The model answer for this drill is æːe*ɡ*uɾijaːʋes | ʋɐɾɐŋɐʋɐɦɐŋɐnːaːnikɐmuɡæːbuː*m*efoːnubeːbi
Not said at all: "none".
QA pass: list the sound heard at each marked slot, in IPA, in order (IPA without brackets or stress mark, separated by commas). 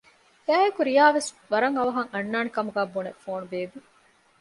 k, n